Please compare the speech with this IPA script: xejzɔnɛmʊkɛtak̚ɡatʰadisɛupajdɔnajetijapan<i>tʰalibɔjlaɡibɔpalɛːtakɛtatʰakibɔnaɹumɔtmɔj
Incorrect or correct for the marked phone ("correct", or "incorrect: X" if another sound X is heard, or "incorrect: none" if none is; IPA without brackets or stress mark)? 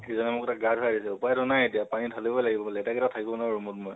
correct